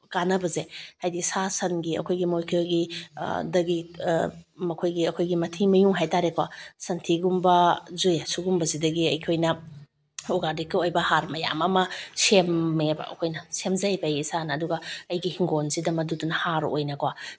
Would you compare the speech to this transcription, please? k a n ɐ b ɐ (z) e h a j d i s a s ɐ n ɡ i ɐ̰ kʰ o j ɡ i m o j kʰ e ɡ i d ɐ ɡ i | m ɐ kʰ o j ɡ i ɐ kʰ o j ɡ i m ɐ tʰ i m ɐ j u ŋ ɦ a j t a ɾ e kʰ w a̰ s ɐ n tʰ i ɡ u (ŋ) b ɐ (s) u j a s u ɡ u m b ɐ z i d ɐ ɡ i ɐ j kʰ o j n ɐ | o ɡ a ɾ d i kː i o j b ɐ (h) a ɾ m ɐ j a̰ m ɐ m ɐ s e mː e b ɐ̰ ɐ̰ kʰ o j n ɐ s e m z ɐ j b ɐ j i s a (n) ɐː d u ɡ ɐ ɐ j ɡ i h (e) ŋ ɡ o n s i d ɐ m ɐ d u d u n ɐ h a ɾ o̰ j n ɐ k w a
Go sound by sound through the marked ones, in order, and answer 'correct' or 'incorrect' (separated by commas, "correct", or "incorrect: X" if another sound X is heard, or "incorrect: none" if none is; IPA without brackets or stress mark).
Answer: correct, incorrect: m, incorrect: z, correct, correct, incorrect: i